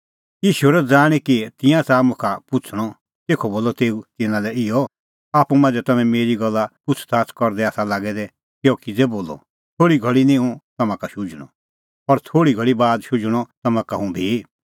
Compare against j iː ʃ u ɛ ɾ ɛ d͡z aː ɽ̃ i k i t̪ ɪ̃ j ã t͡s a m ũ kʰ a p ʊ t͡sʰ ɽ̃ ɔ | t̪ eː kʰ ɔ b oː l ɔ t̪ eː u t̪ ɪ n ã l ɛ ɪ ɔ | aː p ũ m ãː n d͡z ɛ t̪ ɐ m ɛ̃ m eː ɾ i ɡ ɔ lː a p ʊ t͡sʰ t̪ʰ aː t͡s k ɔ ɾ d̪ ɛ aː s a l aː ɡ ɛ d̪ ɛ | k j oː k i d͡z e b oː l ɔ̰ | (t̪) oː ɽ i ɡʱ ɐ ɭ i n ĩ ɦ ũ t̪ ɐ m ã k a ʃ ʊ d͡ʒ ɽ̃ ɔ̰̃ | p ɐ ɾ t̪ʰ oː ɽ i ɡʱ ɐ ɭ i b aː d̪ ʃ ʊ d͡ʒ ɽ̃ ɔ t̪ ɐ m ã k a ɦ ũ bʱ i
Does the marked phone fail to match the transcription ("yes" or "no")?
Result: yes